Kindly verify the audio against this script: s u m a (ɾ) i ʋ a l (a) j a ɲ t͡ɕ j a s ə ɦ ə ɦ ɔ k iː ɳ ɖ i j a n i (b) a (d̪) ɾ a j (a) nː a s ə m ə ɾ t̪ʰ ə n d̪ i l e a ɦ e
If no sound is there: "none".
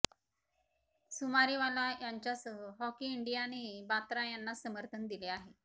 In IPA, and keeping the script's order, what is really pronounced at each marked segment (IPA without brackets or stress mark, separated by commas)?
ɾ, a, b, t̪, a